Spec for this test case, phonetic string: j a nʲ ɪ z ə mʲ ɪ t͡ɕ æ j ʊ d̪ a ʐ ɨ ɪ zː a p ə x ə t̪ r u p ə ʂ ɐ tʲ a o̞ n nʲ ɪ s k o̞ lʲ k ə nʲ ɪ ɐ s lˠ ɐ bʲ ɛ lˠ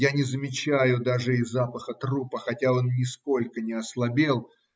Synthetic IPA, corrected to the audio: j a nʲ ɪ z ə mʲ ɪ t͡ɕ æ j ʊ d̪ a ʐ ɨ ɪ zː a p ə x ə t̪ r u p ə x ɐ tʲ a o̞ n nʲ ɪ s k o̞ lʲ k ə nʲ ɪ ɐ s lˠ ɐ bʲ e lˠ